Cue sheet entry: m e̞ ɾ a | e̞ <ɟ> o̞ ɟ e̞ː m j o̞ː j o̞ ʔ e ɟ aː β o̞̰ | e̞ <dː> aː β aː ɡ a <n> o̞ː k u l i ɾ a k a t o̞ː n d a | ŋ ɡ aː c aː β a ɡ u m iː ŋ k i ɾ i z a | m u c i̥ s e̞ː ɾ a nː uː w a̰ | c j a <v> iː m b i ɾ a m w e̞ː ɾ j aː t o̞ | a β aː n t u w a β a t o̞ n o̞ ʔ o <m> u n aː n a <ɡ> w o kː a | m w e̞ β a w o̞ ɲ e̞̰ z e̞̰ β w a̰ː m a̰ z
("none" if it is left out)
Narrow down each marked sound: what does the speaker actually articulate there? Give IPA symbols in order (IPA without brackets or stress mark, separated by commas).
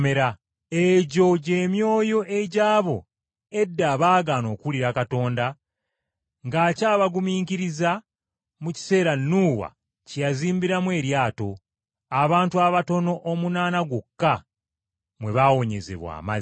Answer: ɟ, dː, n, z, m, ɡ